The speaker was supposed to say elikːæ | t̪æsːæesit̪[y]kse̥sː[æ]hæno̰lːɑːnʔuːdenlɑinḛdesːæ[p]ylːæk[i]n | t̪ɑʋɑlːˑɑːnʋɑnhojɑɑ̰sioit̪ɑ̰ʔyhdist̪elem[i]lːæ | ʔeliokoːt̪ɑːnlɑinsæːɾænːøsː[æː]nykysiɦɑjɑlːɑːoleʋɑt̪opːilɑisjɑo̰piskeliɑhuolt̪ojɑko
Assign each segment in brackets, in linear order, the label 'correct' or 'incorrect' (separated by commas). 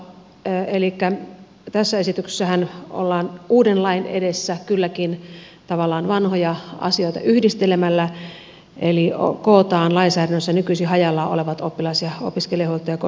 correct, correct, incorrect, correct, incorrect, incorrect